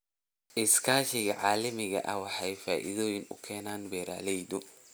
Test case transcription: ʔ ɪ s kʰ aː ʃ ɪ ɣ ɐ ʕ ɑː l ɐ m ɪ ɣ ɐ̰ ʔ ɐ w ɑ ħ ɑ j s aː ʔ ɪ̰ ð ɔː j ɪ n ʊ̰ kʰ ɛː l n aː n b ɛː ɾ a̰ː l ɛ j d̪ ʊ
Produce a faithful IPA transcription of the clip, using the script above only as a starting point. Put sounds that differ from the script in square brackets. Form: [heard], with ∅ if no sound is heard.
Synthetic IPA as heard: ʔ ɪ s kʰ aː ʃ ɪ ɣ ɐ ʕ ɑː l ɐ m ɪ ɣ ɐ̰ ʔ ɐ w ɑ ħ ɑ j [f] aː ʔ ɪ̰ ð ɔː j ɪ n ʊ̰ kʰ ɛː [∅] n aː n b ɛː ɾ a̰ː l ɛ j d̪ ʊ